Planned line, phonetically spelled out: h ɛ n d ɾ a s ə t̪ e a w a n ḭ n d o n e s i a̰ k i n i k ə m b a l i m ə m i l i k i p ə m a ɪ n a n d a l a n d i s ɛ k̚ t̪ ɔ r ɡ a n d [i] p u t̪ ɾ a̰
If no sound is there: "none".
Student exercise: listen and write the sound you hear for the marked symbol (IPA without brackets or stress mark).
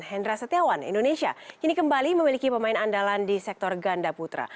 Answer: a